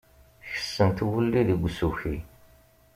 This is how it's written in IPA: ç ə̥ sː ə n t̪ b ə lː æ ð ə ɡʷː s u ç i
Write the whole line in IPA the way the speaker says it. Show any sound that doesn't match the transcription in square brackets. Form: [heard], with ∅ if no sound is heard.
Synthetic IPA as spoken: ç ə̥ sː ə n t̪ [w] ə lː [i] ð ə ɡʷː s u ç i

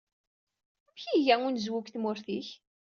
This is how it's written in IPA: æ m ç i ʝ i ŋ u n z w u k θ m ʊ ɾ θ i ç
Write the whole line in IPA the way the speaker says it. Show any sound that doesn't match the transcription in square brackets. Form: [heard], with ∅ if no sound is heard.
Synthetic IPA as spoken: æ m ç i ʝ [æ] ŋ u n z w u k θ m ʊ ɾ θ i ç

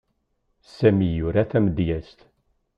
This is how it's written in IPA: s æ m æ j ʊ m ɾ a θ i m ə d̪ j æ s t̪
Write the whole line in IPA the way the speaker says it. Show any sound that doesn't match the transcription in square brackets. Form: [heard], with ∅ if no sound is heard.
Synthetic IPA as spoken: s æ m [i] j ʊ [∅] ɾ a θ [æ] m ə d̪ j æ s t̪

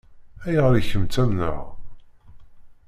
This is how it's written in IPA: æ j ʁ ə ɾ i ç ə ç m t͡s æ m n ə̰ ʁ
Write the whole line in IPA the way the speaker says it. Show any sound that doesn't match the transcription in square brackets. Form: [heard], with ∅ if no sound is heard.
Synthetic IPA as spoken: æ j ʁ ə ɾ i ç ə [∅] m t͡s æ m n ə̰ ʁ

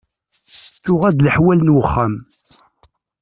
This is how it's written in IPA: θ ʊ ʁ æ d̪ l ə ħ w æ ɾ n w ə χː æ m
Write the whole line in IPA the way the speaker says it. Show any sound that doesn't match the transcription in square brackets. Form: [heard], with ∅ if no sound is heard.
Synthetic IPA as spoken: θ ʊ ʁ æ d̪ l ə ħ w æ [l] n w ə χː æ m

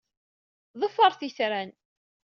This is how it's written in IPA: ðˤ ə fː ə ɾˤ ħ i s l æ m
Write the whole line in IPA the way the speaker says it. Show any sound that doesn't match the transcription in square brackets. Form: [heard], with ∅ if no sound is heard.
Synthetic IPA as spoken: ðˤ ə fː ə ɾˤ [θ] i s [ɾ] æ [n]

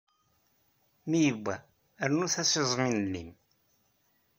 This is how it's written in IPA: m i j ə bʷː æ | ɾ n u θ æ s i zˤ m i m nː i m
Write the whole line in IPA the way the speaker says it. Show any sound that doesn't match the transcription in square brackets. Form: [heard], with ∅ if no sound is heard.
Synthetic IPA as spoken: m i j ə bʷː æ | ɾ n u θ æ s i zˤ m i [n] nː i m

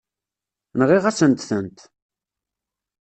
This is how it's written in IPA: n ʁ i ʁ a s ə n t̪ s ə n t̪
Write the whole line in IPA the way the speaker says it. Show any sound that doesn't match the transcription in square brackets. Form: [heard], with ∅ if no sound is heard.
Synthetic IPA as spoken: n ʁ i ʁ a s ə n t̪ [θ] ə n t̪

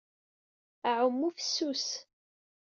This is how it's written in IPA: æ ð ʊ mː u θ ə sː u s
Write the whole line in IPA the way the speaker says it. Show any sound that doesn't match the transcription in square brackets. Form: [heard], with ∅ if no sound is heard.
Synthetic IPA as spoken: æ [ʕ] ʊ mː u [f] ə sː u s

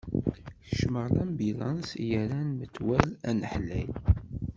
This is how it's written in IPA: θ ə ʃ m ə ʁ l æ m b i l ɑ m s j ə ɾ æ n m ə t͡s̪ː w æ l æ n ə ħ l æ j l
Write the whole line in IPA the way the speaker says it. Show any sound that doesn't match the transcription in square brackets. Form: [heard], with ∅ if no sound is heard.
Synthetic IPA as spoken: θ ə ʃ m ə ʁ l æ m b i l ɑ [n] s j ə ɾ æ n m ə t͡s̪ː w æ l æ n ə ħ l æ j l

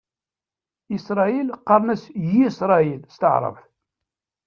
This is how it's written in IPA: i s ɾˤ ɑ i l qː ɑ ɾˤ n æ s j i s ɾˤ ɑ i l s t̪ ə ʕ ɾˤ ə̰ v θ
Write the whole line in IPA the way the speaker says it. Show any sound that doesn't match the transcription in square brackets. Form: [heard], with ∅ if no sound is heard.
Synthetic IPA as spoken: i s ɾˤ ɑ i l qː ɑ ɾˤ n æ s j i s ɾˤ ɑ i l s t̪ ə ʕ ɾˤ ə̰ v θ

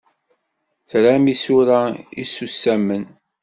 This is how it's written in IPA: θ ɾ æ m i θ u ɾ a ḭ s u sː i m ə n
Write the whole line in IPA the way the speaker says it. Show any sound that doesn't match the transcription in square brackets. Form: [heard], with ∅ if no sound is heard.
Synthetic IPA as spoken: θ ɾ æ m i [s] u ɾ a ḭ s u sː [æ] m ə n

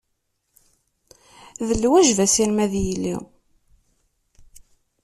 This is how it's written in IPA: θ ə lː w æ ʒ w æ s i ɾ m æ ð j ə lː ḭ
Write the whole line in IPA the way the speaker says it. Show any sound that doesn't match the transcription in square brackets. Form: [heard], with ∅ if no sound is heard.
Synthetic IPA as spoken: [ð] ə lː w æ ʒ [v] æ s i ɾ m æ ð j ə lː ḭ

